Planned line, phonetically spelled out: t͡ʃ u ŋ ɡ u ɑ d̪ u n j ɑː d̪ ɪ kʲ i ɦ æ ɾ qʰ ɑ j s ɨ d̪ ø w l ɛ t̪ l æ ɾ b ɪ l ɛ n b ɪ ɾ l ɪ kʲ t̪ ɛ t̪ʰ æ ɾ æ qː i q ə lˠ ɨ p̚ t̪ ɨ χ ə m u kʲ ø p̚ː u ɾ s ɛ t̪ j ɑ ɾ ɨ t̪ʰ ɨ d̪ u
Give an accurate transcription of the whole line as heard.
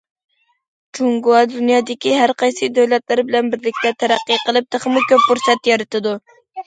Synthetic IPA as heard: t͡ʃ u ŋ ɡ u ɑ d̪ u n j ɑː d̪ ɪ kʲ i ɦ æ ɾ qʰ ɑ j s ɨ d̪ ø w l ɛ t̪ l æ ɾ b ɪ l ɛ n b ɪ ɾ l ɪ kʲ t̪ ɛ t̪ʰ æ ɾ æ qː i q ə lˠ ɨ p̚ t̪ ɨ χ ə m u kʲ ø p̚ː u ɾ s ɛ t̪ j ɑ ɾ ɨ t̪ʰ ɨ d̪ u